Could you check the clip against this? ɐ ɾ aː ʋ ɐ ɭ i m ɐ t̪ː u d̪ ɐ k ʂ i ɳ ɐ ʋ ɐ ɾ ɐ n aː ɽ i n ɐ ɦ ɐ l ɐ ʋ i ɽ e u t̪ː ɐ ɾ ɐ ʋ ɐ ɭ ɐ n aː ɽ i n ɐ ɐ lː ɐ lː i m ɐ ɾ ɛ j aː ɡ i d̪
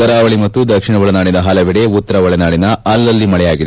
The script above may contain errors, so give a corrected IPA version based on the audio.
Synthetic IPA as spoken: ɐ ɾ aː ʋ ɐ ɭ i m ɐ t̪ː u d̪ ɐ k ʂ i ɳ ɐ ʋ ɐ ɭ ɐ n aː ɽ i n ɐ ɦ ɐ l ɐ ʋ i ɽ e u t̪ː ɐ ɾ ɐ ʋ ɐ ɭ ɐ n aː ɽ i n ɐ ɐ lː ɐ lː i m ɐ ɭ ɛ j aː ɡ i d̪